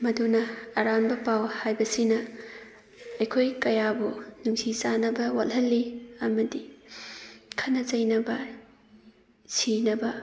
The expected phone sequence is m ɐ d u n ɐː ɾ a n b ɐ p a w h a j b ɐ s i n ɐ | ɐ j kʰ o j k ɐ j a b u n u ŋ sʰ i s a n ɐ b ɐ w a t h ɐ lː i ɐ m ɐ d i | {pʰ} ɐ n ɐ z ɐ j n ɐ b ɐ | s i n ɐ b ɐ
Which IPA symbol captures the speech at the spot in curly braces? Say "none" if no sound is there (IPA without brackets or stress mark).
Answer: kʰ